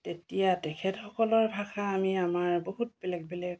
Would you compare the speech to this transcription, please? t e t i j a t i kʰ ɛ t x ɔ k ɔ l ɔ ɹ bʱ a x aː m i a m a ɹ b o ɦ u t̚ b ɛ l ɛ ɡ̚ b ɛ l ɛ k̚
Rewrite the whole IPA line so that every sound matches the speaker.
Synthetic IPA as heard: t e t i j a t ɛ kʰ ɛ t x ɔ k ɔ l ɔ ɹ bʱ a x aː m i a m a ɹ b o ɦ u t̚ b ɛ l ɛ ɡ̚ b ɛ l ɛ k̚